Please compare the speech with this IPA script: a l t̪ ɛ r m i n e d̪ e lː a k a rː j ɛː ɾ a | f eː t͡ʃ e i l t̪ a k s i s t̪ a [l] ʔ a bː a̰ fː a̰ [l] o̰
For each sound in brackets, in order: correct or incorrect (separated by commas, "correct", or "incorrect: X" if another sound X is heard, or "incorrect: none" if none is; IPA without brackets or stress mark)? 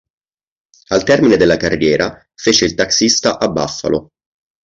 incorrect: none, correct